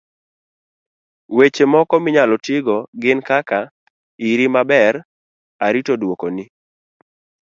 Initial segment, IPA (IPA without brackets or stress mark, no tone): w